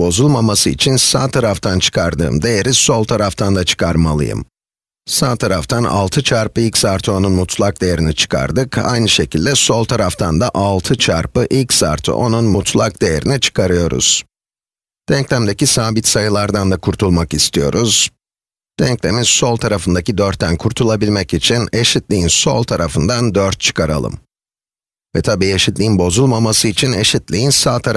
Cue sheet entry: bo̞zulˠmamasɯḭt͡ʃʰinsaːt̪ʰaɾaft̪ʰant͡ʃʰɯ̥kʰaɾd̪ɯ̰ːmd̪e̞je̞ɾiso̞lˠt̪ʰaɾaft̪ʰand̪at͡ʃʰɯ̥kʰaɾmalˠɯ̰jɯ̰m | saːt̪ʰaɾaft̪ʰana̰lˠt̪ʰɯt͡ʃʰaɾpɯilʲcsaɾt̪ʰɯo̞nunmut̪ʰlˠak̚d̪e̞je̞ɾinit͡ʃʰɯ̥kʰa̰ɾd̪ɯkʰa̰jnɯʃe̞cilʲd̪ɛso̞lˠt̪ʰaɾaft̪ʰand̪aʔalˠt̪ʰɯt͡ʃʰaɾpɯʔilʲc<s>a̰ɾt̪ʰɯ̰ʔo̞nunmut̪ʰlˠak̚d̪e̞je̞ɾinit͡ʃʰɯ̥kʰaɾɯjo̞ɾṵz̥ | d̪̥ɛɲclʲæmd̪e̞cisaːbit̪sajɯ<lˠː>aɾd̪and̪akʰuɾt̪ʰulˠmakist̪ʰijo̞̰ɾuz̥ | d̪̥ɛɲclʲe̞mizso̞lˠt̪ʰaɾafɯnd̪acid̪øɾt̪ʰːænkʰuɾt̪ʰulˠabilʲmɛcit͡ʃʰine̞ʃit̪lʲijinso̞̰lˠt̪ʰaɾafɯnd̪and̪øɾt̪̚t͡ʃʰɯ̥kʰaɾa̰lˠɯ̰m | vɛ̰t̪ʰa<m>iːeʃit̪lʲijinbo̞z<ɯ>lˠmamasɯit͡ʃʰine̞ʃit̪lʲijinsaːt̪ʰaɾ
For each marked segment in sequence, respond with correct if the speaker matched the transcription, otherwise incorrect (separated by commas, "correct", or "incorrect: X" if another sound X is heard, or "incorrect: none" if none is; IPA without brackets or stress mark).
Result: correct, incorrect: lˠ, incorrect: b, incorrect: u